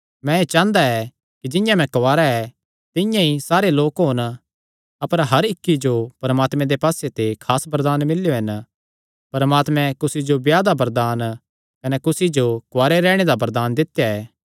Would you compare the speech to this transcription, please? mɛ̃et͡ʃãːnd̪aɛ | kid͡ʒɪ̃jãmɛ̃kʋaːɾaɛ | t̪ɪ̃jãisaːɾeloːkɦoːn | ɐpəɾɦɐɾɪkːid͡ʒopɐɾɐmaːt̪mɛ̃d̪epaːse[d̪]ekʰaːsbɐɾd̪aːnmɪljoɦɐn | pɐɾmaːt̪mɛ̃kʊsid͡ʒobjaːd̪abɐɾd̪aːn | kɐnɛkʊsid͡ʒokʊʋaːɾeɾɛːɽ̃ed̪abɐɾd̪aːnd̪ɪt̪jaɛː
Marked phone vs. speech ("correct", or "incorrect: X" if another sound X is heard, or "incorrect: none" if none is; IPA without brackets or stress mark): incorrect: t̪